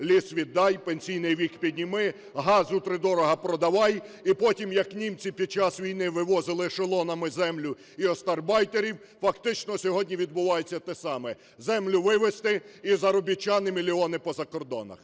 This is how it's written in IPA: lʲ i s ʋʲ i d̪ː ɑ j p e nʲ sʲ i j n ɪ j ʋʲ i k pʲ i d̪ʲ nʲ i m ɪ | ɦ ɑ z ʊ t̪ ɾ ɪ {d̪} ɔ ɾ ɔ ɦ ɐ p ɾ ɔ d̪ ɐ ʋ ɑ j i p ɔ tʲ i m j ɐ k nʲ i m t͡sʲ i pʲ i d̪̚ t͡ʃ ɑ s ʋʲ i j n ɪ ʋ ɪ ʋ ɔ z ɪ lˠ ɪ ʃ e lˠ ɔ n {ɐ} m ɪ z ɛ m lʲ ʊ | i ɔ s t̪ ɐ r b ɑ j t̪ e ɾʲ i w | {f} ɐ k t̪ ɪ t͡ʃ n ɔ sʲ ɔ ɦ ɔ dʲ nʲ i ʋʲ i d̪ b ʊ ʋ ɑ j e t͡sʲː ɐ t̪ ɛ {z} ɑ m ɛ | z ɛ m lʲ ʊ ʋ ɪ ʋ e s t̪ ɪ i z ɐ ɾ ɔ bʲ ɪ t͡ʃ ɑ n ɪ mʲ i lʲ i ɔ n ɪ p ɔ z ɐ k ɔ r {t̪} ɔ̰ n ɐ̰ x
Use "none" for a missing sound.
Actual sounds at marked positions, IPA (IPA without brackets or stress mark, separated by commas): d̪, ɐ, f, s, d̪